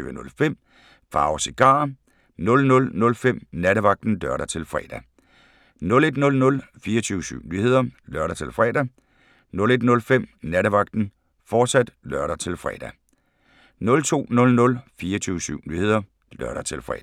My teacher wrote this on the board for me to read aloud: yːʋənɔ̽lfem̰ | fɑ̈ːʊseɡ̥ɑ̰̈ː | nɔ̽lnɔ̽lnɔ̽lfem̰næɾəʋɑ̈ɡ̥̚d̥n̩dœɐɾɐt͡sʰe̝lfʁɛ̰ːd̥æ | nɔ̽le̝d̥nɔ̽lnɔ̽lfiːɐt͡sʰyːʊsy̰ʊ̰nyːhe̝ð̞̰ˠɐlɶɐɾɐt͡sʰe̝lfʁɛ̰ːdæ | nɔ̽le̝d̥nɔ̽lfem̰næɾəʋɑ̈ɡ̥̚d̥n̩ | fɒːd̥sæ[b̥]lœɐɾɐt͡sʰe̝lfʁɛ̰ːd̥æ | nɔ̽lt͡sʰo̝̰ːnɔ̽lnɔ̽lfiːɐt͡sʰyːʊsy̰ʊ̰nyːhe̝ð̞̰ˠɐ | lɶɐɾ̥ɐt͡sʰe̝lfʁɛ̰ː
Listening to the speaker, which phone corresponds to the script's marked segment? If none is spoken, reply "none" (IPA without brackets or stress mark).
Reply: d̥